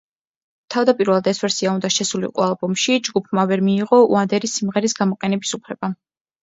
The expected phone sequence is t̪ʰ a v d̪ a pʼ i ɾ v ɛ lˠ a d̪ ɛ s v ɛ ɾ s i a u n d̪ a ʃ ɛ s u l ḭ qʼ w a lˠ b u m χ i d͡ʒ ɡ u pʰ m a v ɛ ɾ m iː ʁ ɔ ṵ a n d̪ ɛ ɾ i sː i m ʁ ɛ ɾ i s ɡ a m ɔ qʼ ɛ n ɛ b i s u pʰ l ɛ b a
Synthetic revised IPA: t̪ʰ a v d̪ a pʼ i ɾ v ɛ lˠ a d̪ ɛ s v ɛ ɾ s i a u n d̪ a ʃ ɛ s u l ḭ qʼ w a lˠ b ɔ m ʃ i d͡ʒ ɡ u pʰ m a v ɛ ɾ m iː ʁ ɔ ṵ a n d̪ ɛ ɾ i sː i m ʁ ɛ ɾ i s ɡ a m ɔ qʼ ɛ n ɛ b i s u pʰ l ɛ b a